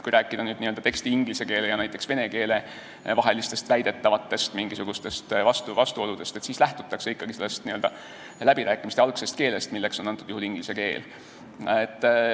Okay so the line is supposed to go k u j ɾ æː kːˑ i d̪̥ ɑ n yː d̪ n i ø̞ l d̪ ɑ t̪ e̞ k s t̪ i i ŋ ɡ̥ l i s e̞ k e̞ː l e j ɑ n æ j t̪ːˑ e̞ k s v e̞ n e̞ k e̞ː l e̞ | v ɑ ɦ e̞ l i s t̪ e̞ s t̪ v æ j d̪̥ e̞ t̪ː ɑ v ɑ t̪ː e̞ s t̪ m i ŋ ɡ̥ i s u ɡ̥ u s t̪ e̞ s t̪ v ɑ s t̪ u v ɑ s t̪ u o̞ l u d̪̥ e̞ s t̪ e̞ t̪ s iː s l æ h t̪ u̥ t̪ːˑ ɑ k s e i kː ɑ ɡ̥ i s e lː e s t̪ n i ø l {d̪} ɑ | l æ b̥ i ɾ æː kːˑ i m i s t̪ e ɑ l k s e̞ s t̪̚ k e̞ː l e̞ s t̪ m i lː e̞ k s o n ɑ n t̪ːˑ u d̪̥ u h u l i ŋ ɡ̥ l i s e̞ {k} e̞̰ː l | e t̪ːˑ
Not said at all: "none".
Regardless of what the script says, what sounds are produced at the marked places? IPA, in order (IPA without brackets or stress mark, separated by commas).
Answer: d̪, k